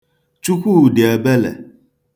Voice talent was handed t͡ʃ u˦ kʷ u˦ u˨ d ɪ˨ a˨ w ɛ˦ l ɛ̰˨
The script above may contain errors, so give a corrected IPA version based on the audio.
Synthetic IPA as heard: t͡ʃ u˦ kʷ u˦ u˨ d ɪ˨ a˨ b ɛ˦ l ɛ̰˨